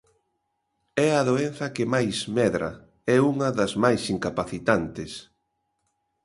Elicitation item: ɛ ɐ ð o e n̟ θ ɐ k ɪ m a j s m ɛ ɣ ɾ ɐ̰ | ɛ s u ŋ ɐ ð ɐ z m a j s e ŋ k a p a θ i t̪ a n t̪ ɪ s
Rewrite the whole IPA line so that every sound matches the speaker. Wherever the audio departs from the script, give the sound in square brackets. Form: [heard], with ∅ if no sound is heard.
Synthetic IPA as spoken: ɛ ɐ ð o e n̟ θ ɐ k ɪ m a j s m ɛ [ð] ɾ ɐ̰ | ɛ [∅] u ŋ ɐ ð ɐ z m a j s [i] ŋ k a p a θ i t̪ a n t̪ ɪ s